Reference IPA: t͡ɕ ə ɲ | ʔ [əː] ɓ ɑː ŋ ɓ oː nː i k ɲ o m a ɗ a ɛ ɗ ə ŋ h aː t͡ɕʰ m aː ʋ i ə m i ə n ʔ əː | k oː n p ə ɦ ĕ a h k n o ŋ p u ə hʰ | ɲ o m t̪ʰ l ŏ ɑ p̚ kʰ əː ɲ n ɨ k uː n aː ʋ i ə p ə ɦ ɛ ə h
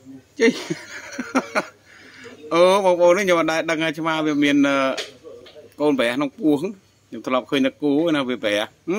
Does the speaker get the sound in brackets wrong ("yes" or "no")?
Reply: no